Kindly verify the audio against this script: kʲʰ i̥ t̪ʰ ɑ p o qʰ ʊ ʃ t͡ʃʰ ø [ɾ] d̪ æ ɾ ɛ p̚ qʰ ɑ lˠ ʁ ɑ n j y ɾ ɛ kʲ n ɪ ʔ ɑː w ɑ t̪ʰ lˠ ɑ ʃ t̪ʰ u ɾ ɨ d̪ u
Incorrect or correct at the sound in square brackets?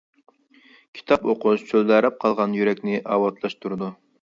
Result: incorrect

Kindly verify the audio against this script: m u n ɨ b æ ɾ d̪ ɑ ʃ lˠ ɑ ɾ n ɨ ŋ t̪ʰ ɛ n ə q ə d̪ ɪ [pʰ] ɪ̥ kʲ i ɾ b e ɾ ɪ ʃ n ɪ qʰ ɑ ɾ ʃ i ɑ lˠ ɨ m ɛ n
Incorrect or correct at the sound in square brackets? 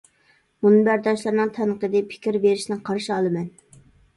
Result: correct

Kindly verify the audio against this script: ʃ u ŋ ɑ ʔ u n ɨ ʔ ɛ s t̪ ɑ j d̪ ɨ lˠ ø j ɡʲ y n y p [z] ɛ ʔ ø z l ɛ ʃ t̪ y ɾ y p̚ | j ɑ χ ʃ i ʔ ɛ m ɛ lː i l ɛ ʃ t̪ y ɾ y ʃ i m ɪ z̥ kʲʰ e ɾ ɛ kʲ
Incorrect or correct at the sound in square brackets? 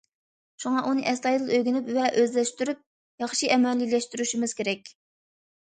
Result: incorrect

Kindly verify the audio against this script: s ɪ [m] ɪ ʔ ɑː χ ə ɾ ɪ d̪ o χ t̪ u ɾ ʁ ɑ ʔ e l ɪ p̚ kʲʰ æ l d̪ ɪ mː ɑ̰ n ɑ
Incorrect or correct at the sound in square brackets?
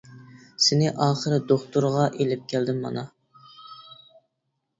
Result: incorrect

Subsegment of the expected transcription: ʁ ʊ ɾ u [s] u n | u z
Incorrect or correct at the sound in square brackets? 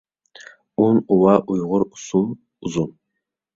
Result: correct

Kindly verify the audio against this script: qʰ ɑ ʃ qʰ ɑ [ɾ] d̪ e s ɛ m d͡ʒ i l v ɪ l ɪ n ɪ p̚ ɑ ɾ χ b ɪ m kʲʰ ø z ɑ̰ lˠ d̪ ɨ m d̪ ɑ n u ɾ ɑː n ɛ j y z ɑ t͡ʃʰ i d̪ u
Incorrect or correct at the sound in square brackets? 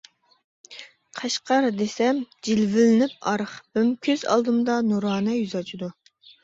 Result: correct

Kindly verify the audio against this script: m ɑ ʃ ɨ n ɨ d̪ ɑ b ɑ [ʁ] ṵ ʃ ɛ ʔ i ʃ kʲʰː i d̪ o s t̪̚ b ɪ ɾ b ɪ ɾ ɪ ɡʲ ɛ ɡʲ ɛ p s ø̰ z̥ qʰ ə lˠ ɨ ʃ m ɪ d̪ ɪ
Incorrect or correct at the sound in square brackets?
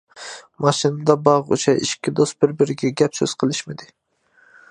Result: correct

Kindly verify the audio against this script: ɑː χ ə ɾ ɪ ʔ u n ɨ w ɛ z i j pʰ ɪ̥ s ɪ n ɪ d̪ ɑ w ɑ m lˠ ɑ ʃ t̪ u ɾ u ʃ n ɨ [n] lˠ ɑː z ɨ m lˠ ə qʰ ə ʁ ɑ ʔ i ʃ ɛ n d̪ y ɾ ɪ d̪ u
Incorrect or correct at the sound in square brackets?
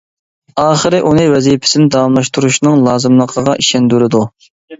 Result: incorrect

